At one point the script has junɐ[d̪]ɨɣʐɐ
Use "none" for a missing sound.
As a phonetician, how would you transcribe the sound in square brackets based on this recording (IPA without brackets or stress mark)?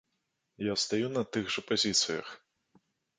t̪